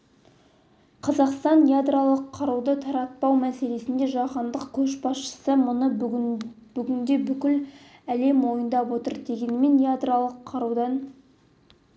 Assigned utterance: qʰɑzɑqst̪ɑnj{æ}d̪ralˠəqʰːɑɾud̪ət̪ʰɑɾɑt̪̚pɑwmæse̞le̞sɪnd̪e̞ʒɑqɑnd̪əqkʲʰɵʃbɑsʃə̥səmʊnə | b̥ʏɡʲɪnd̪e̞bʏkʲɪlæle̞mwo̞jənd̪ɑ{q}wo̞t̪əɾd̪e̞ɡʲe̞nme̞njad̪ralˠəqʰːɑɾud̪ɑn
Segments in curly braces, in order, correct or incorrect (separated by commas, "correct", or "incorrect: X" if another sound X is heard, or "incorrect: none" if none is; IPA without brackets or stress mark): incorrect: a, incorrect: p